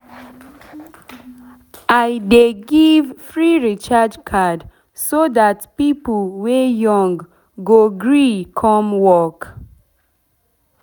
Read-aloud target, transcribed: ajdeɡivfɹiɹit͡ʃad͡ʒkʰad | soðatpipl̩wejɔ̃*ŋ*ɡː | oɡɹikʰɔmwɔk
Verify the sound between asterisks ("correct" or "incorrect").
correct